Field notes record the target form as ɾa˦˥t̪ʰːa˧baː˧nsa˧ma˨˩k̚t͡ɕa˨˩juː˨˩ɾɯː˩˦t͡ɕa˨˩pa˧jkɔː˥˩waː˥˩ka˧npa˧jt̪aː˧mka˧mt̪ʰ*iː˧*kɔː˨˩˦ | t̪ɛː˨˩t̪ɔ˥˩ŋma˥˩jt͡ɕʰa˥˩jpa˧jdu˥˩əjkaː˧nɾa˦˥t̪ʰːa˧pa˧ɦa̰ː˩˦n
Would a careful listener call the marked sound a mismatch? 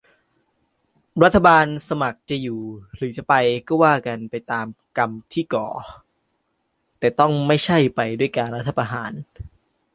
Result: yes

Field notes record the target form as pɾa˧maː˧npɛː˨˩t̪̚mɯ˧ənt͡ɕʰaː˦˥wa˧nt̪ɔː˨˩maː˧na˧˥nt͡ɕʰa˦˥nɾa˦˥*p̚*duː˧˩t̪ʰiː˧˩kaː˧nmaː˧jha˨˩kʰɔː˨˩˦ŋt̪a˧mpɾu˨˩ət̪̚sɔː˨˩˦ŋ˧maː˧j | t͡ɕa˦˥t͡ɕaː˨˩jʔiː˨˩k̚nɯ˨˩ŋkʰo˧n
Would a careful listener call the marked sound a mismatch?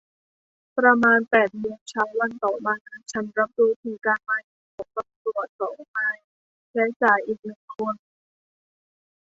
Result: no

